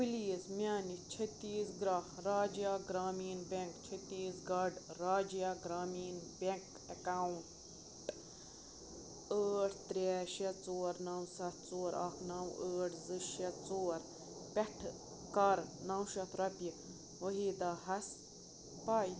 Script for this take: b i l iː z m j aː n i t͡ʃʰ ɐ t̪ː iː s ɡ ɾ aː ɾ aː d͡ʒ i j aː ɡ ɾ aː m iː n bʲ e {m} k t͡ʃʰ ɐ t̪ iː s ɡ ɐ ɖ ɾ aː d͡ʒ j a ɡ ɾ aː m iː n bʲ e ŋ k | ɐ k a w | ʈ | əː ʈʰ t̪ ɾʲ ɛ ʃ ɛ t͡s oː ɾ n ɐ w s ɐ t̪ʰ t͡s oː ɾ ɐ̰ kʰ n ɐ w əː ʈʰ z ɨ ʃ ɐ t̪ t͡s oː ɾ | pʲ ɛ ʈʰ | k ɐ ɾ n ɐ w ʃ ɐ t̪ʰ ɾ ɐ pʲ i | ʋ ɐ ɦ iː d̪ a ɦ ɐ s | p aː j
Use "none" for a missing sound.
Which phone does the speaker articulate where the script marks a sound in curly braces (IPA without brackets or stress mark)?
ŋ